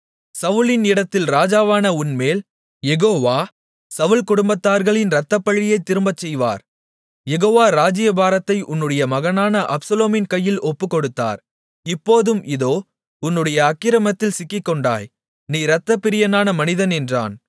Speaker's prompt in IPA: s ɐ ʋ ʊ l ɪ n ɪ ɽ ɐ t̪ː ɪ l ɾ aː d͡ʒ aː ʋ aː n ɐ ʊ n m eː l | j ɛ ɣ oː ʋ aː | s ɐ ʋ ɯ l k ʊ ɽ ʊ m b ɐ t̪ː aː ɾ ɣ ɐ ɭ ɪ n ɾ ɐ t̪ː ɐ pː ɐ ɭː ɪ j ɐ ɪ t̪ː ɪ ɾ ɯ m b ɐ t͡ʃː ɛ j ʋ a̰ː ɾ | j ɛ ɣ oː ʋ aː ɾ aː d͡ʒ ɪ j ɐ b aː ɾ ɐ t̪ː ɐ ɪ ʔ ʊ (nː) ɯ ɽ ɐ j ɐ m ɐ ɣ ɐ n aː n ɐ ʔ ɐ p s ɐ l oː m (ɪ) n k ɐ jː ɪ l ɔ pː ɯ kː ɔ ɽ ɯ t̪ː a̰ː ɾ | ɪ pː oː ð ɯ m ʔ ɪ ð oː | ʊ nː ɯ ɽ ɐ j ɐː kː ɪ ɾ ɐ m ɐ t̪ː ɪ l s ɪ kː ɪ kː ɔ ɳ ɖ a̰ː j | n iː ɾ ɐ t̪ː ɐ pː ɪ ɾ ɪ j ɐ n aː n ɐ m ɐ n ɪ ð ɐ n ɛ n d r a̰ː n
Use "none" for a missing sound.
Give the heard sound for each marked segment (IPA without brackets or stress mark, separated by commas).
nː, ɪ